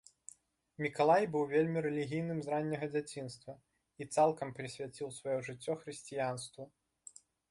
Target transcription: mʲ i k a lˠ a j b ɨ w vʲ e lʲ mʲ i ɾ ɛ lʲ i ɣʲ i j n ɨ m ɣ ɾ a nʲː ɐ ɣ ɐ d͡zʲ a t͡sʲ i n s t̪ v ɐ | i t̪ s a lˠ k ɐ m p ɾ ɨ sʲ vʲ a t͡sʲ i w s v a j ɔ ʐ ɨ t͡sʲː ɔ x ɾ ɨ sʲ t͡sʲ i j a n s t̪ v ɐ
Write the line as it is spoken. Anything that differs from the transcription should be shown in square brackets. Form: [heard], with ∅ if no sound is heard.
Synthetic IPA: mʲ i k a lˠ a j b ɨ w vʲ e lʲ mʲ i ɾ ɛ lʲ i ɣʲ i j n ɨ m [z] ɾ a nʲː ɐ ɣ ɐ d͡zʲ a t͡sʲ i n s t̪ v ɐ | i t̪ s a lˠ k ɐ m p ɾ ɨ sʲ vʲ a t͡sʲ i w s v a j ɔ ʐ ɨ t͡sʲː ɔ x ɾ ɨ sʲ t͡sʲ i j a n s t̪ v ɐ